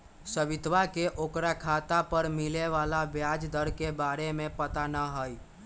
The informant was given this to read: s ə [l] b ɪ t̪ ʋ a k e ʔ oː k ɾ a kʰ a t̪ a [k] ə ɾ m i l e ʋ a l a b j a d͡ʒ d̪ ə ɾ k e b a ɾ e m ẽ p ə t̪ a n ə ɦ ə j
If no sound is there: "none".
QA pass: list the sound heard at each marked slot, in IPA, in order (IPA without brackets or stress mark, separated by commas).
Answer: none, p